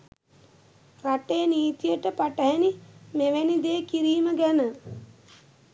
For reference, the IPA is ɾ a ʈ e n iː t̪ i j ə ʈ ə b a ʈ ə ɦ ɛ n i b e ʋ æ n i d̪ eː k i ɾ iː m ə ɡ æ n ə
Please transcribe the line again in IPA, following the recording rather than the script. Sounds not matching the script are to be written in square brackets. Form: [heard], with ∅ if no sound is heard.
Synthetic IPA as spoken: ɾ a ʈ e n iː t̪ i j ə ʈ ə [p] a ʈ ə ɦ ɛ n i [m] e ʋ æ n i d̪ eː k i ɾ iː m ə ɡ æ n ə